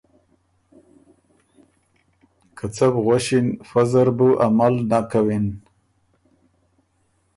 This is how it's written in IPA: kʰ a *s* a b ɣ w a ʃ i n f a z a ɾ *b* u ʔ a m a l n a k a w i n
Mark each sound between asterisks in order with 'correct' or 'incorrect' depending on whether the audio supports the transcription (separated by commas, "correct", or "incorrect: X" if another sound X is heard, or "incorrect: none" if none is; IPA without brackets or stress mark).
incorrect: t͡s, correct